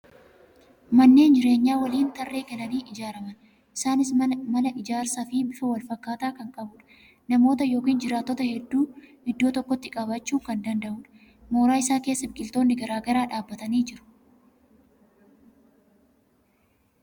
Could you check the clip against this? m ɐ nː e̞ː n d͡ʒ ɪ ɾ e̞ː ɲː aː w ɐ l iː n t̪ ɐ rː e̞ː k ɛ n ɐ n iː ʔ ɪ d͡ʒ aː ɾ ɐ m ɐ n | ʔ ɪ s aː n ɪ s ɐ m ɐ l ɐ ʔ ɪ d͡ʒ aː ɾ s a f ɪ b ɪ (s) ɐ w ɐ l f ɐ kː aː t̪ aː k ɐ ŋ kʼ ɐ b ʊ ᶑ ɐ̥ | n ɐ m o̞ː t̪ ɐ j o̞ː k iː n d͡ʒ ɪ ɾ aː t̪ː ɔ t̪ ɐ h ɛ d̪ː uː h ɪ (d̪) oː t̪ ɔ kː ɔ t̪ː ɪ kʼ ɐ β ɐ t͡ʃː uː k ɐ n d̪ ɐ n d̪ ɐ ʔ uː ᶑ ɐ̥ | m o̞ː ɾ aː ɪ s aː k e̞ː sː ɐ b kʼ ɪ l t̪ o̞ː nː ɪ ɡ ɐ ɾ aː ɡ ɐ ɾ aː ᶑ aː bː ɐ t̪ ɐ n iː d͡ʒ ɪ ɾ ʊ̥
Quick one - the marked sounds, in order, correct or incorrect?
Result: incorrect, incorrect

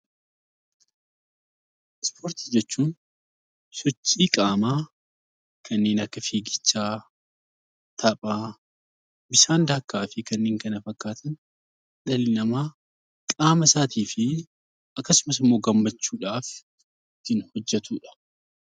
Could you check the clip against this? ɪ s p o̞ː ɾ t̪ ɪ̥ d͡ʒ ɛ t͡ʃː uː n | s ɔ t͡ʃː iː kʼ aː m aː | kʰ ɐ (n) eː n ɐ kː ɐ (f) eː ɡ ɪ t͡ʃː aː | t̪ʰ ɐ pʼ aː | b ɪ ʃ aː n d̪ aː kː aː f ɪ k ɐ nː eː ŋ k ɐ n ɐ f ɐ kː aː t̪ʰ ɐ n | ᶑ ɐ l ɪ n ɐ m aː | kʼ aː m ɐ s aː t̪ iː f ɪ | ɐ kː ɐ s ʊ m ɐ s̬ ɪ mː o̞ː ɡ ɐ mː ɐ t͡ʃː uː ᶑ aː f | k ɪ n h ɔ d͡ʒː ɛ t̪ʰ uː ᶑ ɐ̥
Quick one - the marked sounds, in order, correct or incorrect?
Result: incorrect, correct

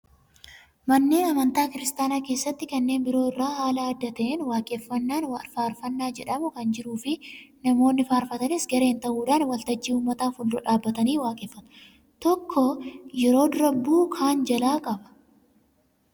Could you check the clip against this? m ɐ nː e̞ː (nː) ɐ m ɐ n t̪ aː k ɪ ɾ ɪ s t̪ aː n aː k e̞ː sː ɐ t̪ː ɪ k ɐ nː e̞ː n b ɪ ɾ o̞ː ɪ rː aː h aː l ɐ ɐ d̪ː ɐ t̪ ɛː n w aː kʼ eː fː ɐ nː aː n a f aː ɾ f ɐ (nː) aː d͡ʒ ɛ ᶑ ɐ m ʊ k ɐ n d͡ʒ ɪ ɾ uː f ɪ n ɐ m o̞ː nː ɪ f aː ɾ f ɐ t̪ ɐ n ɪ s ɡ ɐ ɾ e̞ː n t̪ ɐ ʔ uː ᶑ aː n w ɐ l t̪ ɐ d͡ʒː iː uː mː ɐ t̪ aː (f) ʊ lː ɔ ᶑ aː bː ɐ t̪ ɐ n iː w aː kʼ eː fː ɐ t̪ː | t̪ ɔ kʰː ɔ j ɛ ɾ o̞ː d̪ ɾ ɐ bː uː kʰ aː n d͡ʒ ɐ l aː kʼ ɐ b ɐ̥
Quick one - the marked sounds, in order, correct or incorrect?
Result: incorrect, correct, correct

